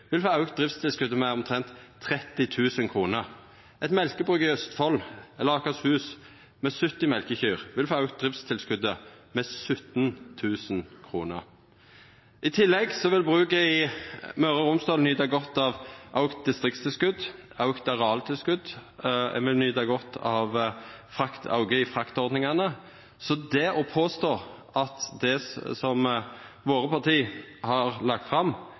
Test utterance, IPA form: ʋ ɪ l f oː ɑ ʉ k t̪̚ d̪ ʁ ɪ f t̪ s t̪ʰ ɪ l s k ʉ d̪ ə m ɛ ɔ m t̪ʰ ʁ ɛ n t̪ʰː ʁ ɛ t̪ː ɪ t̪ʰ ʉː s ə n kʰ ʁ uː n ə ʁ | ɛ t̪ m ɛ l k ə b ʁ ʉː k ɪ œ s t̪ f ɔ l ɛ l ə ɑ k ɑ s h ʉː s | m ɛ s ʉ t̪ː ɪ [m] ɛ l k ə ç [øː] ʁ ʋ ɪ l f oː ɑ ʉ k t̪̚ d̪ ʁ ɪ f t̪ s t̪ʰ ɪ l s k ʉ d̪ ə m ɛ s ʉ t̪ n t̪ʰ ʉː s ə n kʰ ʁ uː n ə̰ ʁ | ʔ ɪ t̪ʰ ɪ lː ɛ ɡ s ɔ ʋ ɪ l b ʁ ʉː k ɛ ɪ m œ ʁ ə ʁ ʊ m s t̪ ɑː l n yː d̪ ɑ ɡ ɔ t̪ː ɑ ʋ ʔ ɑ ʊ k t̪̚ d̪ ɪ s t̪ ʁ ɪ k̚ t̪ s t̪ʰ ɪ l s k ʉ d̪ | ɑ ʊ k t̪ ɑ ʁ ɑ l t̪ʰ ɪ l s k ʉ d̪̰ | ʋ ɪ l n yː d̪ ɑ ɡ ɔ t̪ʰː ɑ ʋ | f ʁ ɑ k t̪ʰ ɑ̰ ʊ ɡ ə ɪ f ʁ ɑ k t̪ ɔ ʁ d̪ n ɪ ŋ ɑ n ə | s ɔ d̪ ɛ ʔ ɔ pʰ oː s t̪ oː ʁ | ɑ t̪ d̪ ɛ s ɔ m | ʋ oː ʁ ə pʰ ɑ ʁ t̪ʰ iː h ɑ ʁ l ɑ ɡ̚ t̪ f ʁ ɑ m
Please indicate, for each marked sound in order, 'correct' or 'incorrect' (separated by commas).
correct, incorrect